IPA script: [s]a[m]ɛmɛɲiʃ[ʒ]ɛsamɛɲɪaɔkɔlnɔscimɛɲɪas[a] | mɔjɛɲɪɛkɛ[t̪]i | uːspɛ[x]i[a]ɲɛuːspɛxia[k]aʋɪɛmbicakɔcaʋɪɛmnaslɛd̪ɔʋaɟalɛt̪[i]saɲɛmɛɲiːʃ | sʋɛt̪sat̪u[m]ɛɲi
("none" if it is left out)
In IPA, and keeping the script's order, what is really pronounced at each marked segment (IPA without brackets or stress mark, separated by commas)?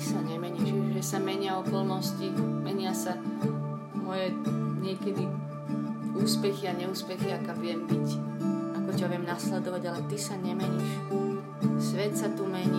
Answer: s, ɲ, ʒ, a, d̪, x, a, k, i, m